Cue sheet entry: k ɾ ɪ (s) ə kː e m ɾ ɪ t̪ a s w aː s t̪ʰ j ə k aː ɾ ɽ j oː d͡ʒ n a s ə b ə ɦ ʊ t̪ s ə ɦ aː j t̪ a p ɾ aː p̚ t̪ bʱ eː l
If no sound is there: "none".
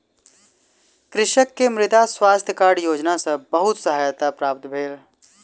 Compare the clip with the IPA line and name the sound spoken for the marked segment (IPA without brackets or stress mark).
ʃ